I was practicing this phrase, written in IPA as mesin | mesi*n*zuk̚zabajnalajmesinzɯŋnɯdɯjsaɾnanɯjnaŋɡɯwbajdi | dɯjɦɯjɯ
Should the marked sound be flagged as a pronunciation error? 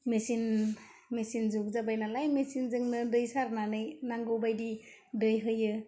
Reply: no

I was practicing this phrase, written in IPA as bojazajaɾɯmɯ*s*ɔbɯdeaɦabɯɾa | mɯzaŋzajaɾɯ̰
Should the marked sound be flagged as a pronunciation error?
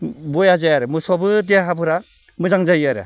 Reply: no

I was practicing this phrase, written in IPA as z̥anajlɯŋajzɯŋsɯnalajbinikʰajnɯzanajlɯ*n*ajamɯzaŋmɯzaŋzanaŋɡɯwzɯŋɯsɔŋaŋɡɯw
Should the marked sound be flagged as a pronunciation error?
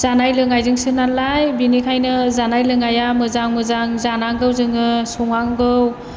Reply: yes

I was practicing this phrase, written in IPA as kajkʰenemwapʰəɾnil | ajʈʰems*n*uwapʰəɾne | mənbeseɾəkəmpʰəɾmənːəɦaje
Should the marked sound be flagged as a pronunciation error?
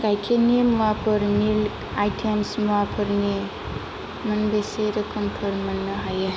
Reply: yes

